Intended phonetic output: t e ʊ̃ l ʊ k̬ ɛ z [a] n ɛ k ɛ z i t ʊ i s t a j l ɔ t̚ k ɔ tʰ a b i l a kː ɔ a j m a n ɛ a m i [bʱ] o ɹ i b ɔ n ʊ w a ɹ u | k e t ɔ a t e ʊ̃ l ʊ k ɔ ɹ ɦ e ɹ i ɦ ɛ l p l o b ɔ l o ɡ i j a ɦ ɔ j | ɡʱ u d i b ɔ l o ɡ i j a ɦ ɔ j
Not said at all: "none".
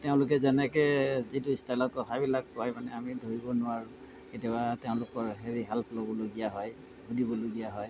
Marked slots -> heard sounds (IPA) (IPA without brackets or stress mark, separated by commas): ɛ, dʱ